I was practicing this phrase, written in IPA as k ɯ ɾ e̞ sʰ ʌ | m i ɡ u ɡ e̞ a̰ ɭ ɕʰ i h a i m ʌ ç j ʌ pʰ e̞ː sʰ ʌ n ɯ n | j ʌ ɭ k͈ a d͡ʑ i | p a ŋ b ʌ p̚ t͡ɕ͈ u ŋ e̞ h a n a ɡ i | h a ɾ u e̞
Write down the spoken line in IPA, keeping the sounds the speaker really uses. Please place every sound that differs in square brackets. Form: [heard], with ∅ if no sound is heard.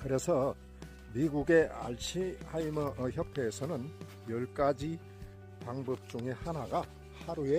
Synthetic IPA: k ɯ ɾ e̞ sʰ ʌ | m i ɡ u ɡ e̞ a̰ ɭ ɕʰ i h a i m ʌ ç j ʌ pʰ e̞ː sʰ ʌ n ɯ n | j ʌ ɭ k͈ a d͡ʑ i | p a ŋ b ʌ p̚ t͡ɕ͈ u ŋ e̞ h a n a ɡ [a] | h a ɾ u e̞